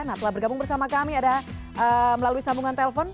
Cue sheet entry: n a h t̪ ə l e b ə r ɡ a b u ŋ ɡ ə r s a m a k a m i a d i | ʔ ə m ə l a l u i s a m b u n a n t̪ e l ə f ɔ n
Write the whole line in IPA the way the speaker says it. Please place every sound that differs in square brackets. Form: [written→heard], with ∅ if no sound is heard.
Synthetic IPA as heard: n a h t̪ ə l [e→a] b ə r ɡ a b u ŋ [ɡ→b] ə r s a m a k a m i a d [i→a] | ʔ ə m ə l a l u i s a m b u [n→ŋ] a n t̪ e l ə f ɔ n

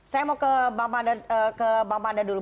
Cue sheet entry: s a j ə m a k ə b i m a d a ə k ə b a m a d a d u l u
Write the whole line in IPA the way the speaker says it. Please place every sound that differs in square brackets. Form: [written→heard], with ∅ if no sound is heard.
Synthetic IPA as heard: s a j [ə→a] m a k ə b [i→a] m a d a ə k ə b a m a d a d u l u

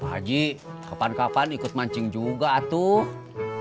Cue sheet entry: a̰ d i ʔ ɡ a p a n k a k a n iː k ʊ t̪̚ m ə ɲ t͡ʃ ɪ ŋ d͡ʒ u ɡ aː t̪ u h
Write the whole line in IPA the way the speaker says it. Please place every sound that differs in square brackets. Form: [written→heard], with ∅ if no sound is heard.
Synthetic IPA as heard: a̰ [d→d͡ʒ] i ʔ [ɡ→k] a p a n k a [k→p] a n [iː→i] k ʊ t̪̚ m [ə→a] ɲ t͡ʃ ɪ ŋ d͡ʒ u ɡ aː t̪ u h

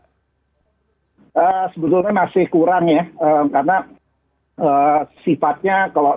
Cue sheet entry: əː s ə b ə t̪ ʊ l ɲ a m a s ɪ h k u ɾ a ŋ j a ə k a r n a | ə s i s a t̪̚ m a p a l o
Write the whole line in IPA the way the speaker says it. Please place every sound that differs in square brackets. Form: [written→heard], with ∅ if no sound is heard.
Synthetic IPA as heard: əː s ə b ə t̪ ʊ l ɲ a m a s ɪ h k u ɾ a ŋ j a ə k a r n a | ə s i [s→f] a t̪̚ [m→ɲ] a [p→k] a l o

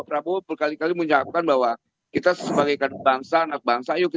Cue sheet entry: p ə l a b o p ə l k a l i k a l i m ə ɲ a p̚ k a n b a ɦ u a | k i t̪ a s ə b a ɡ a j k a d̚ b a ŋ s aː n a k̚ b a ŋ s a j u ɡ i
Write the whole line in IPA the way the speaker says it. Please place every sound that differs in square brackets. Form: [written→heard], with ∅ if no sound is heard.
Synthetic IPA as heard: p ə [l→ɾ] a b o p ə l k a l i k a l i m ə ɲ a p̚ k a n b a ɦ [u→w] a | k i t̪ a s ə b a ɡ a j k a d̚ b a ŋ s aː n a k̚ b a ŋ s a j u [ɡ→k] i

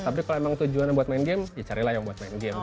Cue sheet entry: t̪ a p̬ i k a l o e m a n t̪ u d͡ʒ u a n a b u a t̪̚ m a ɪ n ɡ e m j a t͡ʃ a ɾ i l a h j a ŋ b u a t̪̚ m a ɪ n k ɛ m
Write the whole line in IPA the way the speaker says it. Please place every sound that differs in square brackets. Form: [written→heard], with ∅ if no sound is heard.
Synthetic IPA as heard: t̪ a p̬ i k a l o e m a [n→ŋ] t̪ u d͡ʒ u a n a b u a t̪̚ m a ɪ n ɡ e m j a t͡ʃ a ɾ i l a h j a ŋ b u a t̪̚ m a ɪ n [k→ɡ] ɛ m

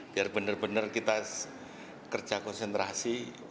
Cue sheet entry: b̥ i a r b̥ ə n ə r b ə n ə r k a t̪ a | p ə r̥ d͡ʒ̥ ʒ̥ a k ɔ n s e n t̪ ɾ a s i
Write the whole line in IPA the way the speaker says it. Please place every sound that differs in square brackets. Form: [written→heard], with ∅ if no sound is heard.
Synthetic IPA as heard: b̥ i a r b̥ ə n ə r b ə n ə r k [a→i] t̪ a | [p→k] ə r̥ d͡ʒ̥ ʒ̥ a k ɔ n s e n t̪ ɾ a s i

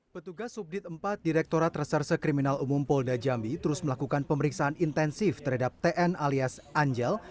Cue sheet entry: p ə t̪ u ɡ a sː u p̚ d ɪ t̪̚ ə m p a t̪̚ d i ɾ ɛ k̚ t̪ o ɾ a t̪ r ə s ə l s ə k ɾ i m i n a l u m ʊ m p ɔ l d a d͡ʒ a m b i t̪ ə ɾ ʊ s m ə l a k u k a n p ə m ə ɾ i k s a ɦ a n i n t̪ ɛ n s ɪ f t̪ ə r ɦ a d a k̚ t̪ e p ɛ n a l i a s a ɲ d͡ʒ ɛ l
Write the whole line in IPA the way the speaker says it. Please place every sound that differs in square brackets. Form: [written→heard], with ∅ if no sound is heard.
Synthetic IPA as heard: p ə t̪ u ɡ a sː u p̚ d ɪ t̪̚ ə m p a t̪̚ d i ɾ ɛ k̚ t̪ o ɾ a t̪ r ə s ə [l→r] s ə k ɾ i m i n a l u m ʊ m p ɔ l d a d͡ʒ a m b i t̪ ə ɾ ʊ s m ə l a k u k a n p ə m ə ɾ i k s a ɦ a n i n t̪ ɛ n s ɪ f t̪ ə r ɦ a d a [k̚→p̚] t̪ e [p→ʔ] ɛ n a l i a s a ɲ d͡ʒ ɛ l

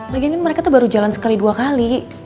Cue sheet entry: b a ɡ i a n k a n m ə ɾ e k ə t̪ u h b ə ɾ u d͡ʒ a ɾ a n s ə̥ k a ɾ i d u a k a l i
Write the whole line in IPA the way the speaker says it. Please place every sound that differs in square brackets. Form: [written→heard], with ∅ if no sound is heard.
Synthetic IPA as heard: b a ɡ i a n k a n m ə ɾ e k [ə→a] t̪ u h b [ə→a] ɾ u d͡ʒ a [ɾ→l] a n s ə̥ k a [ɾ→l] i d u a k a l i

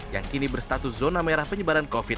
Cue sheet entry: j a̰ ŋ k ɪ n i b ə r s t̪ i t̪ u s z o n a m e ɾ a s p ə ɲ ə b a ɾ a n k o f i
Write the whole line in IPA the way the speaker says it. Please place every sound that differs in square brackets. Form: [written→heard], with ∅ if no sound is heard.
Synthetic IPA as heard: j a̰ ŋ k [ɪ→i] n i b ə r s t̪ [i→a] t̪ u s z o n a m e ɾ a [s→h] p ə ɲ ə b a ɾ a n k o f i

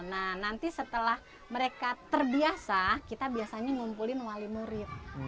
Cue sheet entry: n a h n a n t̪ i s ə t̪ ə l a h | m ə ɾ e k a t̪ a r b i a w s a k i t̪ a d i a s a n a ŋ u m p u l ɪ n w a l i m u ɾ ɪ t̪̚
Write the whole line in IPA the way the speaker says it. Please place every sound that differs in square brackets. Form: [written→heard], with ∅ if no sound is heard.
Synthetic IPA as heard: n a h n a n t̪ i s ə t̪ ə l a h | m ə ɾ e k a t̪ [a→ə] r b i a [w→∅] s a k i t̪ a [d→b] i a s a [n→ɲ] a ŋ u m p u l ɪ n w a l i m u ɾ ɪ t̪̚

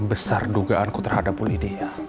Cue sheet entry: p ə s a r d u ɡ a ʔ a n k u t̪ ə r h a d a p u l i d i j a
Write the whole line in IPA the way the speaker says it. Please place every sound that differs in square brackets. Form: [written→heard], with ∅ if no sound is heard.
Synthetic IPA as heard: [p→b] ə s a r d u ɡ a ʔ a n k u t̪ ə r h a d a p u l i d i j a

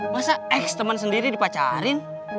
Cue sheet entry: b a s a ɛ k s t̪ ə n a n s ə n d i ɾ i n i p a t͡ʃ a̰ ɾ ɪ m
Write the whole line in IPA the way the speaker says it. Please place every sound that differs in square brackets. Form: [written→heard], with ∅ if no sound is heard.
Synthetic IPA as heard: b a s a ɛ k s t̪ ə [n→m] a n s ə n d i ɾ i [n→d] i p a t͡ʃ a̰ ɾ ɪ [m→n]

